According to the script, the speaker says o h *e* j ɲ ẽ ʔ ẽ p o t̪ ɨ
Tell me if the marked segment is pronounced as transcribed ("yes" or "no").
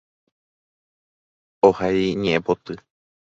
no